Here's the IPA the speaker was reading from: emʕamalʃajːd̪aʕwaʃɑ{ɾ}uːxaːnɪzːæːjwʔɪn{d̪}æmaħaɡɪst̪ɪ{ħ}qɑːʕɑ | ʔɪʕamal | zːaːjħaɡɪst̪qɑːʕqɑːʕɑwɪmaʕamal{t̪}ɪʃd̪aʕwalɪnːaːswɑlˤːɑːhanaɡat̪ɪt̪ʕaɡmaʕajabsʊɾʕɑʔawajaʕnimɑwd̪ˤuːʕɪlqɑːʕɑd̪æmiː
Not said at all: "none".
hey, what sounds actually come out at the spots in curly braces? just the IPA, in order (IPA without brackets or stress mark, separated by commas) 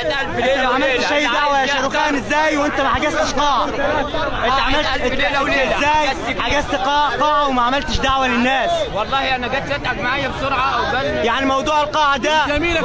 ɾ, t̪, ʃ, t̪